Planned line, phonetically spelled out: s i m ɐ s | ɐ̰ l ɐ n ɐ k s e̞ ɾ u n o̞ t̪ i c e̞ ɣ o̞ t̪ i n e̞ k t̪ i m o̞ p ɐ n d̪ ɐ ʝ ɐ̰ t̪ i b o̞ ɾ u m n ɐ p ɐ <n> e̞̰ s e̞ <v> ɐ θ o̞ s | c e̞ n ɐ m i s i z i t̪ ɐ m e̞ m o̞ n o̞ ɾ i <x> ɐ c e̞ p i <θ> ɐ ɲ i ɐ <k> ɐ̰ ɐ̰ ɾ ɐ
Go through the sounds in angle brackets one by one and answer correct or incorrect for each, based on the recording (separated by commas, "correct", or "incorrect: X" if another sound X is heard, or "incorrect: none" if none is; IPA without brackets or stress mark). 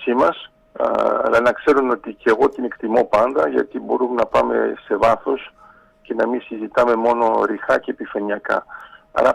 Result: incorrect: m, correct, correct, incorrect: f, correct